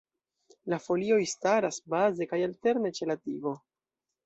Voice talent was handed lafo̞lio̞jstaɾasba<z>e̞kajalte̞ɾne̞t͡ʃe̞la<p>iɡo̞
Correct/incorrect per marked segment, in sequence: correct, incorrect

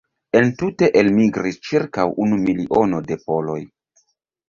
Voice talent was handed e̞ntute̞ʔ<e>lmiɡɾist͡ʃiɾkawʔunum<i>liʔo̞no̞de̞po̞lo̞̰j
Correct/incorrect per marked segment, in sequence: correct, correct

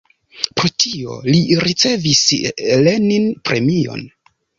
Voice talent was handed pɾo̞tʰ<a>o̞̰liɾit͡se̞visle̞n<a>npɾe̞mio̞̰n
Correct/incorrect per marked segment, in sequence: incorrect, incorrect

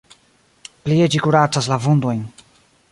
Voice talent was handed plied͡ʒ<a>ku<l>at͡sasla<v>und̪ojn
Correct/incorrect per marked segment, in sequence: incorrect, incorrect, correct

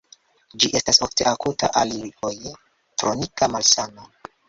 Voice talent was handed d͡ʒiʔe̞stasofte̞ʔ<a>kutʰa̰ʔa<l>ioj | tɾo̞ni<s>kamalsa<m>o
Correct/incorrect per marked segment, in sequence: correct, correct, incorrect, incorrect

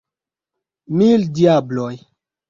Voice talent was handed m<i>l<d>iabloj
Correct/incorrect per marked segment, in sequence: correct, correct

